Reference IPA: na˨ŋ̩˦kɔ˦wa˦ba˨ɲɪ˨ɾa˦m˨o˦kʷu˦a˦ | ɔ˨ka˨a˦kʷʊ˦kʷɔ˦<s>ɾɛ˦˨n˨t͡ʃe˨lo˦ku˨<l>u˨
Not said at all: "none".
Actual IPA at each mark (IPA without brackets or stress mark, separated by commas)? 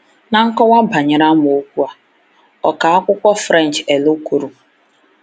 f, ɾ